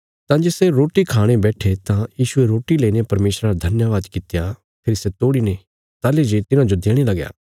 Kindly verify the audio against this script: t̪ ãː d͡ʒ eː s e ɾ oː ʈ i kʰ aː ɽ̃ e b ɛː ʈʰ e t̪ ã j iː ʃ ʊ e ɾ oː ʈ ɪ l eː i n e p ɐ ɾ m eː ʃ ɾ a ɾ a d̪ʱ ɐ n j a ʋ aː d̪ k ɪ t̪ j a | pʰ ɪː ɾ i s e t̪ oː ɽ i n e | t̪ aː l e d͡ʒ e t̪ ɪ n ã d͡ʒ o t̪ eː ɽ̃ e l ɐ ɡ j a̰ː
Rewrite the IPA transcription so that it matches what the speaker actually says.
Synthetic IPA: t̪ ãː d͡ʒ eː s e ɾ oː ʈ i kʰ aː ɽ̃ e b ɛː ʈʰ e t̪ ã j iː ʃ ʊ e ɾ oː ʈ i l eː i n e p ɐ ɾ m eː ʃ ɾ a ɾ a d̪ʱ ɐ n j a ʋ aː d̪ k ɪ t̪ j a | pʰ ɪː ɾ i s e t̪ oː ɽ i n e | t̪ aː l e d͡ʒ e t̪ ɪ n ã d͡ʒ o d̪ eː ɽ̃ e l ɐ ɡ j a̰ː